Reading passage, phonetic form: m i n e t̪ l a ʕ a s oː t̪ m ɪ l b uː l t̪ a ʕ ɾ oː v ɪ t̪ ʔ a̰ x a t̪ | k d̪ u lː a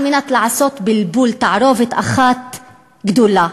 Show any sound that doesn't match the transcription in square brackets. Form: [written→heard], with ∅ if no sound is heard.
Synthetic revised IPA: m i n [e→a] t̪ l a ʕ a s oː t̪ [m→b] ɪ l b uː l t̪ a ʕ ɾ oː v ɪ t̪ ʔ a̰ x a t̪ | [k→ɡ] d̪ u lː a